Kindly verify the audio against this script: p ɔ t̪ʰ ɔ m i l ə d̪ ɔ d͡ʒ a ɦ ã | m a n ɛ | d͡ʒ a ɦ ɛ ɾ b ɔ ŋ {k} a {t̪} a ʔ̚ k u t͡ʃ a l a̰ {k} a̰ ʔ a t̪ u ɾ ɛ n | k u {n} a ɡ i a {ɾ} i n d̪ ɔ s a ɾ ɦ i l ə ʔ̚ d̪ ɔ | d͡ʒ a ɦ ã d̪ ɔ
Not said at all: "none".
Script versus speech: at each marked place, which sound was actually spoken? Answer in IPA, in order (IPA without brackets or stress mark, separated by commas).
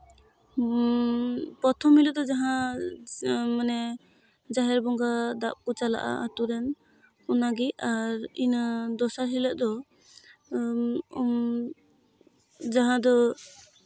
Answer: ɡ, d̪, ʔ, n, ɾ